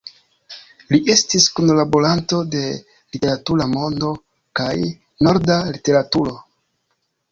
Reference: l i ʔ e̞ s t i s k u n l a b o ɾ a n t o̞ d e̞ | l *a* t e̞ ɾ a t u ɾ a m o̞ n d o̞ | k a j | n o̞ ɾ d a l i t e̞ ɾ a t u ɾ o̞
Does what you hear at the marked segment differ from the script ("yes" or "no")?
yes